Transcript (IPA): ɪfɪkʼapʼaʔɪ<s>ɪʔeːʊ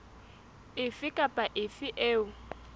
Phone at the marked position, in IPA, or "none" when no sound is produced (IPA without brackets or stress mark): f